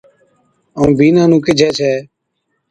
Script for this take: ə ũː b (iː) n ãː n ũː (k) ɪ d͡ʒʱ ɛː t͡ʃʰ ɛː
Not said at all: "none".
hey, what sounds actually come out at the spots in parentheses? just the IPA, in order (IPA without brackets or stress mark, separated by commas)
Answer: iː, k